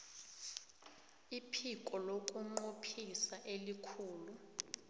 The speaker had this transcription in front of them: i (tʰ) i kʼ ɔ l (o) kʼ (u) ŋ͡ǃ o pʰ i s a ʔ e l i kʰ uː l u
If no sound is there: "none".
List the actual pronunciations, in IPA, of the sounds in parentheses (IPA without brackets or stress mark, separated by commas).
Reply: pʰ, o, u